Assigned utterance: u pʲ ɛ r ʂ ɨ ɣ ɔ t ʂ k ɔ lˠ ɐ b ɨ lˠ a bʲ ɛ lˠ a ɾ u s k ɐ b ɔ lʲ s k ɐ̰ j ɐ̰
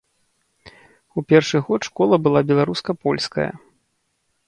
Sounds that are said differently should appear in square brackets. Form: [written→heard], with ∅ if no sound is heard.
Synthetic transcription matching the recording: u pʲ ɛ r ʂ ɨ ɣ ɔ t ʂ k ɔ lˠ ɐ b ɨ lˠ a bʲ ɛ lˠ a ɾ u s k ɐ [b→p] ɔ lʲ s k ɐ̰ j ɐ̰